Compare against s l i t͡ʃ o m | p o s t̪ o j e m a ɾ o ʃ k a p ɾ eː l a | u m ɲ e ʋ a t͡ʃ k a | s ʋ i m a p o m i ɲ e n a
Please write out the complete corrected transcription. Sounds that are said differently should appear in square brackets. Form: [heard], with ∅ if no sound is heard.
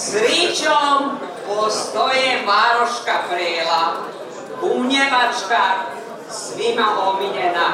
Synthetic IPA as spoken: s [ɾ] i t͡ʃ o m | p o s t̪ o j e m a ɾ o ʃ k a p ɾ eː l a | u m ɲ e ʋ a t͡ʃ k a | s ʋ i m a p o m i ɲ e n a